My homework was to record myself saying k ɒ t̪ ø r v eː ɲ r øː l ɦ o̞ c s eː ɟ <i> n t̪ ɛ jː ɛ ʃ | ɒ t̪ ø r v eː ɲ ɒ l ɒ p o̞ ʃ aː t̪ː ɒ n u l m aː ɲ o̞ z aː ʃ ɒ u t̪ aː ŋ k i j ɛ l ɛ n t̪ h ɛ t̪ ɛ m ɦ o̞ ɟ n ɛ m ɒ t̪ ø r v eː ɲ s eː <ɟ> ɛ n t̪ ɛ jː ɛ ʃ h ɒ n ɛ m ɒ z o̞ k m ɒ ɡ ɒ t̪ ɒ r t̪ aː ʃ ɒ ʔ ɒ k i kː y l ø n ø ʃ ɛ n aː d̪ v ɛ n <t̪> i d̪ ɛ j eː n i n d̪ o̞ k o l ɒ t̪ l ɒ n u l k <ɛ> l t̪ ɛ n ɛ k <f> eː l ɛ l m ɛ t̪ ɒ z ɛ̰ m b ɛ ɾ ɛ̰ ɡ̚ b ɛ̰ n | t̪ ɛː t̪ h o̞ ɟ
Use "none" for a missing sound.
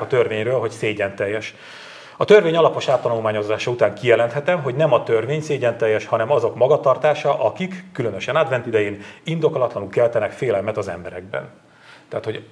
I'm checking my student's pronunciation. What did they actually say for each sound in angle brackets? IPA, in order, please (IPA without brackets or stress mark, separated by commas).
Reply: ɛ, ɟ, t̪, ɛ, f